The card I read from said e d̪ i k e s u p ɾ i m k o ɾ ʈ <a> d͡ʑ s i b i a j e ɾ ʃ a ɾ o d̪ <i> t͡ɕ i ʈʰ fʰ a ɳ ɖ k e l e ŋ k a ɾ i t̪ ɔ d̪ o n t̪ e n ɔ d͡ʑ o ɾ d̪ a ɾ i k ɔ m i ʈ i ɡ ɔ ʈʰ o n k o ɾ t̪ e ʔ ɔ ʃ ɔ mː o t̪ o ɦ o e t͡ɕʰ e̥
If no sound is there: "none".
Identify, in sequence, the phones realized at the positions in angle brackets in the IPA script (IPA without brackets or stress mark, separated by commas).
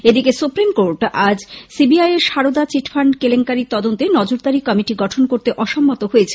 a, a